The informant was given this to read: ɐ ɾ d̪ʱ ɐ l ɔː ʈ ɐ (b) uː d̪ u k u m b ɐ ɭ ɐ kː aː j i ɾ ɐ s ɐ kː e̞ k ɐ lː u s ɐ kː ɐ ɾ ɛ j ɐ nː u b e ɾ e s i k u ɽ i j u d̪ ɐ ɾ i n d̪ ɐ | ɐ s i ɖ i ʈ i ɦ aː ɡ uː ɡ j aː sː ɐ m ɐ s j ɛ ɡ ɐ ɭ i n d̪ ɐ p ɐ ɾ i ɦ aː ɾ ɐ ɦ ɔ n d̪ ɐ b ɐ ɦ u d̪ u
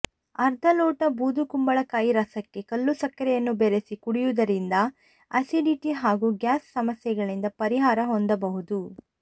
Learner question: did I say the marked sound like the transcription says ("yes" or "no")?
yes